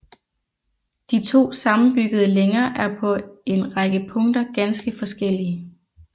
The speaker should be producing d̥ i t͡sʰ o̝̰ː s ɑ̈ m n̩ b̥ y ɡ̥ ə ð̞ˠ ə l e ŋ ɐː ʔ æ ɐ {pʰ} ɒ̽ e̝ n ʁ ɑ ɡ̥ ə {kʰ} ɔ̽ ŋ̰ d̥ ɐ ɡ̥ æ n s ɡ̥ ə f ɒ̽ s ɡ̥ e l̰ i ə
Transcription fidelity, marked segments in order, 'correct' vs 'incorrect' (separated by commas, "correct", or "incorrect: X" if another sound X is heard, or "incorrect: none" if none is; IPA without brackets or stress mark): correct, incorrect: pʰ